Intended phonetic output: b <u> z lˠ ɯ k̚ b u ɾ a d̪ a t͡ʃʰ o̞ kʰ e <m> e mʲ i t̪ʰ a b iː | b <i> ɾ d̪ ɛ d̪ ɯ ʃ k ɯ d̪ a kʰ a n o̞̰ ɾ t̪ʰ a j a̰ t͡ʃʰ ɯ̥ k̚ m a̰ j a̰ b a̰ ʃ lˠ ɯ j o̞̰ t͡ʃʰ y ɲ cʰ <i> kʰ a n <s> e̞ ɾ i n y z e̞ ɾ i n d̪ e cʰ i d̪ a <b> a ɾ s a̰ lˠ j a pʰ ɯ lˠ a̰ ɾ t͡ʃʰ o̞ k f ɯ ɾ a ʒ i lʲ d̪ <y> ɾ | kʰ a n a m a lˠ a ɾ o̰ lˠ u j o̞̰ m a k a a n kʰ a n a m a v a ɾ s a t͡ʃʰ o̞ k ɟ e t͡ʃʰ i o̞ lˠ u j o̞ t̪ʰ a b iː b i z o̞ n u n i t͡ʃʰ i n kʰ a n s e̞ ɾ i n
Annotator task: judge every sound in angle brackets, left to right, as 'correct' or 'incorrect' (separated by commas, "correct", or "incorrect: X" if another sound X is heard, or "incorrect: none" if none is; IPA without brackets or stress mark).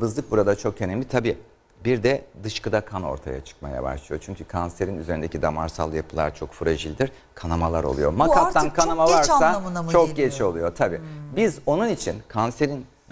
incorrect: ɯ, incorrect: n, correct, incorrect: y, correct, incorrect: m, incorrect: i